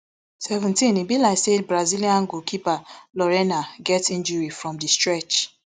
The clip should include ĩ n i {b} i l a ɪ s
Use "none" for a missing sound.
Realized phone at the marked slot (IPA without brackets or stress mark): b